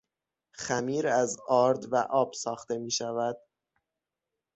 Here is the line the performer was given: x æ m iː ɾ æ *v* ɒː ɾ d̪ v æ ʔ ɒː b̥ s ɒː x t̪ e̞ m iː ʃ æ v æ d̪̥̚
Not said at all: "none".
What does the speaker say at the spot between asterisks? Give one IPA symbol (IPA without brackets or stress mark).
z